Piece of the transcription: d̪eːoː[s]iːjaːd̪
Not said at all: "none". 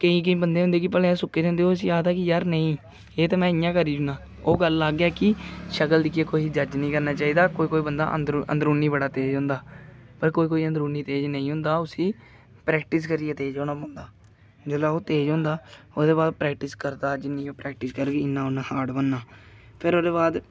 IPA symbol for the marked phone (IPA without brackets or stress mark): s